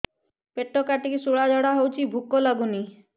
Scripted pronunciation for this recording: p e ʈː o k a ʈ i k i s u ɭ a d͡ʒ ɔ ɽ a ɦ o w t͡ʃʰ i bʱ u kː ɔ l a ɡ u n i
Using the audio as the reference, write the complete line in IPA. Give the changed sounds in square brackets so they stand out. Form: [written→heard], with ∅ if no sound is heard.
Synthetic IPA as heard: p e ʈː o k a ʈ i k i s u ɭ a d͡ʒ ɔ ɽ a ɦ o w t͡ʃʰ i bʱ u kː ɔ l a ɡ u n i